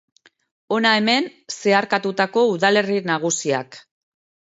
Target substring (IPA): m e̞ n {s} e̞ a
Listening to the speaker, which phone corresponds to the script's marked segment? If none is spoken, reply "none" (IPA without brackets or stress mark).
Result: s